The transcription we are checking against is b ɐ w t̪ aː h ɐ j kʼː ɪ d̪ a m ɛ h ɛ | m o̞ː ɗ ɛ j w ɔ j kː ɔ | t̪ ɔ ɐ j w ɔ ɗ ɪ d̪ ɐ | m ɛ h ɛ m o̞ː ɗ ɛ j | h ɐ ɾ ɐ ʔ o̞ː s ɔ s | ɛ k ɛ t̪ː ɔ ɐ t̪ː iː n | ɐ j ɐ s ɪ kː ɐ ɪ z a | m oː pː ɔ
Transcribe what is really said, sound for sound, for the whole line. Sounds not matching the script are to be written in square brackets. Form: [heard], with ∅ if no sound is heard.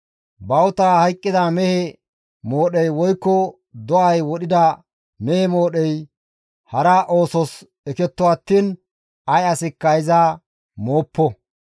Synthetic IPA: b ɐ w t̪ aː h ɐ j kʼː ɪ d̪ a m ɛ h ɛ | m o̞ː ɗ ɛ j w ɔ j kː ɔ | [d̪] ɔ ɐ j w ɔ ɗ ɪ d̪ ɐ | m ɛ h ɛ m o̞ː ɗ ɛ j | h ɐ ɾ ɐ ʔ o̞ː s ɔ s | ɛ k ɛ t̪ː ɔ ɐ t̪ː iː n | ɐ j ɐ s ɪ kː ɐ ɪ z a | m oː pː ɔ